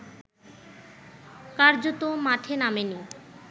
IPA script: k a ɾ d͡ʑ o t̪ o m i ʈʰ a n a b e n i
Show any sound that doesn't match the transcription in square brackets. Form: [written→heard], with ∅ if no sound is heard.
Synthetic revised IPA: k a ɾ d͡ʑ o t̪ o m [i→a] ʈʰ [a→e] n a [b→m] e n i